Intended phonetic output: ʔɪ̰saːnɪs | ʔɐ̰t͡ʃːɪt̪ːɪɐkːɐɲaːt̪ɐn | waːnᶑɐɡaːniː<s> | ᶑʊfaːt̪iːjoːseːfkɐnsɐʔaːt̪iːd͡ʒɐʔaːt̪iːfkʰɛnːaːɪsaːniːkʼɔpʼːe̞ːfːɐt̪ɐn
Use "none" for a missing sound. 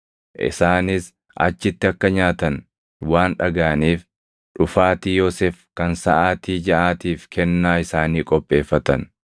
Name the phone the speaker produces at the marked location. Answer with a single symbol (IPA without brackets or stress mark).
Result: f